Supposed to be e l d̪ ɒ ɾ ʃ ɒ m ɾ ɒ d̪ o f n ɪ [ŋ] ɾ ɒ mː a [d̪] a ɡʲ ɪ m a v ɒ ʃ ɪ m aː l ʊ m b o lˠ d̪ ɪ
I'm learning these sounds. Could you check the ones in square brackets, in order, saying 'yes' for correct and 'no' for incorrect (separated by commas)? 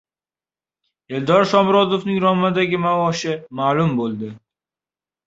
yes, yes